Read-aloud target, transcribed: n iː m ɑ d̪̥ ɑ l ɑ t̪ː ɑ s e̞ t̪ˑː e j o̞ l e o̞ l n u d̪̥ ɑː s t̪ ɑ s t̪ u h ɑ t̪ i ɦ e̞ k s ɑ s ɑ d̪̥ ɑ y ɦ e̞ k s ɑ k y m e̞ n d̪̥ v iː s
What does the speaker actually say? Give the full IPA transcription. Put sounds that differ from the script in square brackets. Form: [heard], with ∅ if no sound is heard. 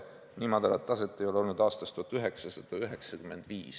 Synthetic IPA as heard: n iː m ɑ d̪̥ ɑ l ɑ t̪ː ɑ s e̞ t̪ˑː e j o̞ l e o̞ l n u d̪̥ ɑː s t̪ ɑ s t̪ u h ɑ t̪ [y] ɦ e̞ k s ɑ s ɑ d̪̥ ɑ y ɦ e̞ k s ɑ k y m e̞ n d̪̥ v iː s